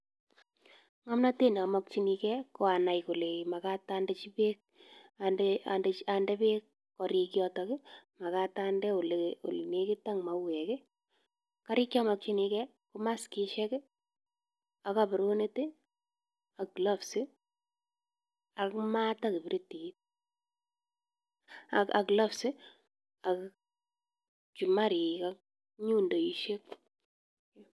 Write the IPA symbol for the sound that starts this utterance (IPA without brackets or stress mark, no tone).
ŋ